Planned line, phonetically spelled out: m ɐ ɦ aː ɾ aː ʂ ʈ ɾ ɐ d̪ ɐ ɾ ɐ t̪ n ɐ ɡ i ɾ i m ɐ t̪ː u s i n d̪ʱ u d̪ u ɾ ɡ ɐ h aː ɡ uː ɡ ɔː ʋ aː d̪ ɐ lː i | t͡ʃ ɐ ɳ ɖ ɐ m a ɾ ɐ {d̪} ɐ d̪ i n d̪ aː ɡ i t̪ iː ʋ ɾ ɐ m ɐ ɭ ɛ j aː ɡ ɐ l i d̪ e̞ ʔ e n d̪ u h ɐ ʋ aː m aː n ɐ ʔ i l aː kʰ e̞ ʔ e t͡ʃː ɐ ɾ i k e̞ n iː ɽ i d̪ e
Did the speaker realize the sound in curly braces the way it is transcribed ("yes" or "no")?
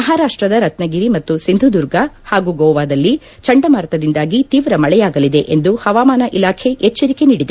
no